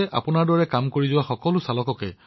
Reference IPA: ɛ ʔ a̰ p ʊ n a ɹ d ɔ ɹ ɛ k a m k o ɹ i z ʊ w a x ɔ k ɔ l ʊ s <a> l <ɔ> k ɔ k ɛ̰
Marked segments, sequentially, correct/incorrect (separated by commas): correct, correct